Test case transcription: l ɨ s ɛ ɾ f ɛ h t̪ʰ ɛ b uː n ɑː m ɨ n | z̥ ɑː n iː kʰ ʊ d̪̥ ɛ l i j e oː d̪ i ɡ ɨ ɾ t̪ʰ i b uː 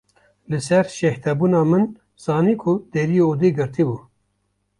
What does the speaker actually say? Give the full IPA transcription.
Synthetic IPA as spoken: l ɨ s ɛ ɾ ʃ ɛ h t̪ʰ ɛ b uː n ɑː m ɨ n | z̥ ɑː n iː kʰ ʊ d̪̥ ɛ ɾ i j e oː d̪ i ɡ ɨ ɾ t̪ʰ i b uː